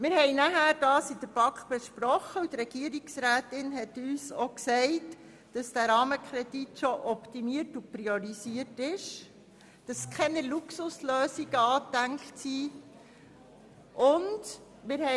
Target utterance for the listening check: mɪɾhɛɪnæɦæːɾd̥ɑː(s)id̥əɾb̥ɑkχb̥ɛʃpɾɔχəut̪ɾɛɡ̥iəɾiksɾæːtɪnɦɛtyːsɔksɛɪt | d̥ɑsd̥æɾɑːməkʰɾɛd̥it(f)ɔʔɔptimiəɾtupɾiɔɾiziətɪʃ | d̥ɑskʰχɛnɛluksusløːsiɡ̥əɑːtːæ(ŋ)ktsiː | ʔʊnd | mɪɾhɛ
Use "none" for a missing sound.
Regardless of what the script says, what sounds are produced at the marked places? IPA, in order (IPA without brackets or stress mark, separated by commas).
s, ʃ, ŋ